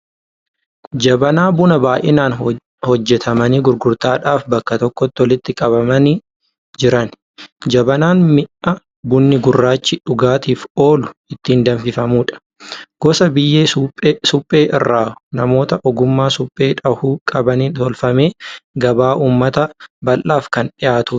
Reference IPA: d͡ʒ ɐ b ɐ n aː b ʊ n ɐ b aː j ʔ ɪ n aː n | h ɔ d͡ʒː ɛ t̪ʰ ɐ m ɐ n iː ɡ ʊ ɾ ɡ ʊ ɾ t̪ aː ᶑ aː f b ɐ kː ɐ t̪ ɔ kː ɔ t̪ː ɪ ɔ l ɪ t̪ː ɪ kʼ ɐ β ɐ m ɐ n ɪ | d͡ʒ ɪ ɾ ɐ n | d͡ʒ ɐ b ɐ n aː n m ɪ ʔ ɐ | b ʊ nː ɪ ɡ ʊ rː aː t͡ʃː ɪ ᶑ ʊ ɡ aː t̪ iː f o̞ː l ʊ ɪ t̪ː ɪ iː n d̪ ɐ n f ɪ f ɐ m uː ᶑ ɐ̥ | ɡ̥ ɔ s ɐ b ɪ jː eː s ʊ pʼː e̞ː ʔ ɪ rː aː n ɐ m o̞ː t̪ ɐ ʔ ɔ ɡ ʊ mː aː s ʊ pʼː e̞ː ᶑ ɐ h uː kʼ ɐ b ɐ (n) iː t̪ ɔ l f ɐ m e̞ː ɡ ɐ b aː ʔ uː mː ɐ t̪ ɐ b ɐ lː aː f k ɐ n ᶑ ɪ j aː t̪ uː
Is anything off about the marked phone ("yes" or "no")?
no